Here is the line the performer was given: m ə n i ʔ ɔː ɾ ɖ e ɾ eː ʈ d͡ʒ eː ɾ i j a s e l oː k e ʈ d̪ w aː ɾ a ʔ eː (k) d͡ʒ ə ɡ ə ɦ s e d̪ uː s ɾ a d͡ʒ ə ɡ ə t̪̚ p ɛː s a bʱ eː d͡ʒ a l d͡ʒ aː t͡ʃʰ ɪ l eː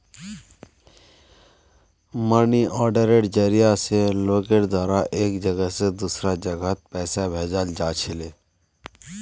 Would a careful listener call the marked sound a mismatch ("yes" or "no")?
no